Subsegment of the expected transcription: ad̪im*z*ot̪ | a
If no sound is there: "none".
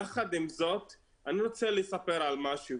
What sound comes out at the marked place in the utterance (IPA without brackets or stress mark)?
z